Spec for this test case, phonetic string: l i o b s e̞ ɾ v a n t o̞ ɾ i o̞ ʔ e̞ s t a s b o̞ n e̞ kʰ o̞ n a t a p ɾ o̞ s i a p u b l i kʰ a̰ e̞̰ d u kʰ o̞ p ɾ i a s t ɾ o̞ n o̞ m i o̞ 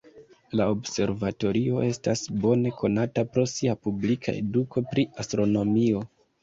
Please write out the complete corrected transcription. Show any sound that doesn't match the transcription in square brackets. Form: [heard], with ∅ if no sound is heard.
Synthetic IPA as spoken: l [a] o b s e̞ ɾ v a [∅] t o̞ ɾ i o̞ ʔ e̞ s t a s b o̞ n e̞ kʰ o̞ n a t a p ɾ o̞ s i a p u b l i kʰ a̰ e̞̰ d u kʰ o̞ p ɾ i a s t ɾ o̞ n o̞ m i o̞